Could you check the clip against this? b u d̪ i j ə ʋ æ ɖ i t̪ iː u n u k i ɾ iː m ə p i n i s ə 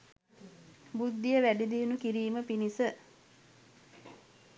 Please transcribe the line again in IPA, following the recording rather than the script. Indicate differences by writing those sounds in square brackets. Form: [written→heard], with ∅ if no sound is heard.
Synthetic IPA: b u [d̪→d̪ː] i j ə ʋ æ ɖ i [t̪→d̪] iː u n u k i ɾ iː m ə p i n i s ə